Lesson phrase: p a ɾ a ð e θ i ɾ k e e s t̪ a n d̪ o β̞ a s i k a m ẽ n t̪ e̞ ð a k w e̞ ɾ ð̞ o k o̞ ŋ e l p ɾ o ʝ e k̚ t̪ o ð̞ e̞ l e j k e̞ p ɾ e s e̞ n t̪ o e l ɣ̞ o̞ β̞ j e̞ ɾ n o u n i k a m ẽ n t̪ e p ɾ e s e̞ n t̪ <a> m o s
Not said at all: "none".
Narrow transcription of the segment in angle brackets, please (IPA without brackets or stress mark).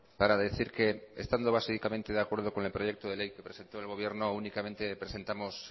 a